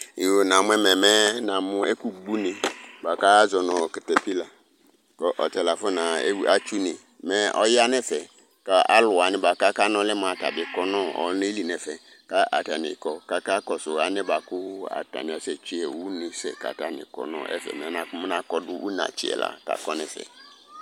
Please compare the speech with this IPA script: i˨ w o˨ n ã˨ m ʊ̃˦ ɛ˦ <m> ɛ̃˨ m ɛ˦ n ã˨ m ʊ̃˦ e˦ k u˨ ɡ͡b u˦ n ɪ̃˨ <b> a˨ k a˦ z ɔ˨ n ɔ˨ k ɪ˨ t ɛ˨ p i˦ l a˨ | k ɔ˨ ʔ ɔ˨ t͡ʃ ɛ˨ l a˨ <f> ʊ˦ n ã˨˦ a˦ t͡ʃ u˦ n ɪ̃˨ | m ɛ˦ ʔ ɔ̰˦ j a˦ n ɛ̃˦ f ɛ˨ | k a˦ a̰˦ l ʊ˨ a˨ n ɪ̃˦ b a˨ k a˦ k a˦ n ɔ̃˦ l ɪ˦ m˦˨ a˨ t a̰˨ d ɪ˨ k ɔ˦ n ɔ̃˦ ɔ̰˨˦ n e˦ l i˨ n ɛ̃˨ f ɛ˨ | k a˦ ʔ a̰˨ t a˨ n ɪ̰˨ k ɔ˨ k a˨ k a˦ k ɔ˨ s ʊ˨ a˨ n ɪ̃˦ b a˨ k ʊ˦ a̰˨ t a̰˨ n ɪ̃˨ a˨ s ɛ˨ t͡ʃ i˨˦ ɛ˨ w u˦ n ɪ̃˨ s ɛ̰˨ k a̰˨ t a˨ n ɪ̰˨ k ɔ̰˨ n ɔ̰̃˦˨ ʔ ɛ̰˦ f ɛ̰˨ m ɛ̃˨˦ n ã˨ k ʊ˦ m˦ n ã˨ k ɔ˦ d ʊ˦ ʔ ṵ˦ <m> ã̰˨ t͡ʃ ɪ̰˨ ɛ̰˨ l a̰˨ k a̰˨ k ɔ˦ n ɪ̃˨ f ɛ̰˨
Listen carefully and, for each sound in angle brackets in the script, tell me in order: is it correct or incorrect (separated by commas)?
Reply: correct, correct, correct, incorrect